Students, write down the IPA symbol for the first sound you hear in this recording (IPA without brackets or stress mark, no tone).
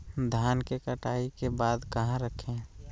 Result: d̪ʱ